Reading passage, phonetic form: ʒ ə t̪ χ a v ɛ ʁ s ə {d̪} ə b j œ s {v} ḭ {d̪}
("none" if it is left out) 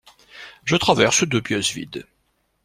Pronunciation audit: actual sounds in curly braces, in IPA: d̪, v, d̪

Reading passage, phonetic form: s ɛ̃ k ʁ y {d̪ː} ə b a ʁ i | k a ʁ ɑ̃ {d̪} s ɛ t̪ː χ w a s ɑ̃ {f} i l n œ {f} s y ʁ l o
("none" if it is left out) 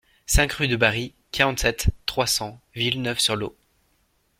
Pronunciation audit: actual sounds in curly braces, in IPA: d̪, t̪, v, f

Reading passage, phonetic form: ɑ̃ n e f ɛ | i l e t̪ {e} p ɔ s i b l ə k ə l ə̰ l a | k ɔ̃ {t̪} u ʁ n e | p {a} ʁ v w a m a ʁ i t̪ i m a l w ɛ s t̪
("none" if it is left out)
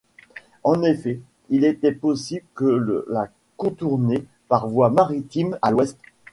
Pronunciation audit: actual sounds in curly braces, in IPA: ɛ, t̪, a

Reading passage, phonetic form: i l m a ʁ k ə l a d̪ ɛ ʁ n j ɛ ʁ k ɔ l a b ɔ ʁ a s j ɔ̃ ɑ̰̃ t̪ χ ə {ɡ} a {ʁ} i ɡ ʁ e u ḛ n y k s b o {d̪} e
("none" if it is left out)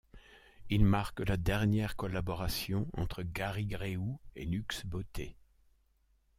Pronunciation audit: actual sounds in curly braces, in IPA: ɡ, ʁ, t̪

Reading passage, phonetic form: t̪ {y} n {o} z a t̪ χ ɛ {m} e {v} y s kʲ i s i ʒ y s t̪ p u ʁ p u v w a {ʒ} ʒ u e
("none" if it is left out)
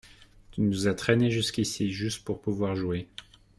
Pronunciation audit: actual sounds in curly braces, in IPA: y, u, n, ʒ, ʁ

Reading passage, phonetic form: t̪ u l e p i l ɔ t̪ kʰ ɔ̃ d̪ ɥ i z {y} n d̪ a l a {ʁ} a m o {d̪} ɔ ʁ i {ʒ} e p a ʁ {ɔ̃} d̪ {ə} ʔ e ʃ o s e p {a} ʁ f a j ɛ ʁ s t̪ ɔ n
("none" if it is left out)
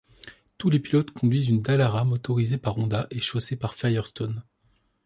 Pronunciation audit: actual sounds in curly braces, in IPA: y, ʁ, t̪, z, ɔ̃, a, a

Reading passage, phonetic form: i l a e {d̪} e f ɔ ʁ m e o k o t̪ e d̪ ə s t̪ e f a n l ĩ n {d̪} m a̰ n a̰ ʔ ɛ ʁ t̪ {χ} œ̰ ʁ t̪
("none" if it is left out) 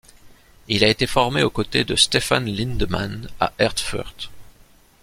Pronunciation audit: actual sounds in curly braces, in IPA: t̪, d̪, f

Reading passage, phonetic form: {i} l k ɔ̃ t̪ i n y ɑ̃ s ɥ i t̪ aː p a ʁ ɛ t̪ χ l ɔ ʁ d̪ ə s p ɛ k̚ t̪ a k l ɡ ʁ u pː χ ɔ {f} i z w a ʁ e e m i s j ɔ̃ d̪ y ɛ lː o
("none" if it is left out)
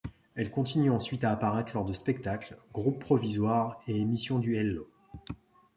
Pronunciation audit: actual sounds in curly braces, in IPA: ɛ, v

